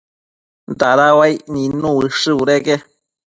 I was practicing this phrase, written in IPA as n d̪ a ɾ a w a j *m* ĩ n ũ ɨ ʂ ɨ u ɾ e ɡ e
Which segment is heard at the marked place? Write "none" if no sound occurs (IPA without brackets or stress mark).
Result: n